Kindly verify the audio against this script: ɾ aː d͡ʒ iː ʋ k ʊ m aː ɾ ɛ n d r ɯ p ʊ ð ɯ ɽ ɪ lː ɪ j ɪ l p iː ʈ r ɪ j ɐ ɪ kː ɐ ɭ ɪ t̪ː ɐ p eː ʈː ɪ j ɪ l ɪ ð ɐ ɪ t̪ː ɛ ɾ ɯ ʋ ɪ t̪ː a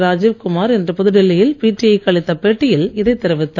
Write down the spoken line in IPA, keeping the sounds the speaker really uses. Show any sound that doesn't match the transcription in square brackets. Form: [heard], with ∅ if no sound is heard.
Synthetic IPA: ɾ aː d͡ʒ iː ʋ k ʊ m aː ɾ ɛ n d r ɯ p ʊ ð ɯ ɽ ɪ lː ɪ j ɪ l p iː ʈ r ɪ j ɐ ɪ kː ɐ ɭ ɪ t̪ː ɐ p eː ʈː ɪ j ɪ l ɪ ð ɐ ɪ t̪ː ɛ ɾ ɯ ʋ ɪ t̪ː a